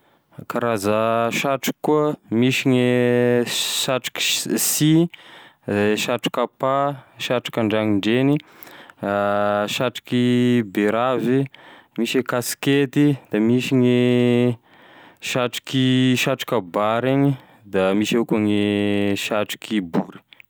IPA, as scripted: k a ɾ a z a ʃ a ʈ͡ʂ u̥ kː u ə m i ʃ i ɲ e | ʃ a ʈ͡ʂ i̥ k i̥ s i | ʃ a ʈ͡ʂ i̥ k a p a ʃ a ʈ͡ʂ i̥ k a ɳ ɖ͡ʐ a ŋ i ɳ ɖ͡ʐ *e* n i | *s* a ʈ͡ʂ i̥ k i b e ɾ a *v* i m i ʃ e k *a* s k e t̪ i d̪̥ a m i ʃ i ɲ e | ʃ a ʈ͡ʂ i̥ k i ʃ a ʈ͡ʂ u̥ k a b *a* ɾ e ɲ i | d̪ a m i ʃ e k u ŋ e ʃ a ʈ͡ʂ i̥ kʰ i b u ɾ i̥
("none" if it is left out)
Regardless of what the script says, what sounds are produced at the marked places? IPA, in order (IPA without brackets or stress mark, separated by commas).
e, ʃ, v, a, a